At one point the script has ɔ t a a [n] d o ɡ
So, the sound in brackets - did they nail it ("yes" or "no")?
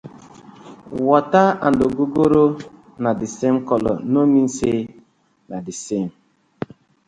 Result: yes